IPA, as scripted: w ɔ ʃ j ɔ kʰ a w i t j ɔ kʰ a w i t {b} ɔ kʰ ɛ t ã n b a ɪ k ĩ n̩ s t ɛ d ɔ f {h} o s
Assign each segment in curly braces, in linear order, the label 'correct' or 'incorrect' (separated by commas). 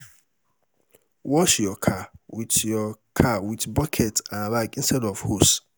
correct, correct